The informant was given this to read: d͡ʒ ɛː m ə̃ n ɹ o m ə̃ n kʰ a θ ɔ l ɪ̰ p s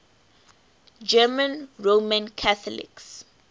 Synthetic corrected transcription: d͡ʒ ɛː m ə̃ n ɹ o m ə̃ n kʰ a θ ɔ l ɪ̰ k s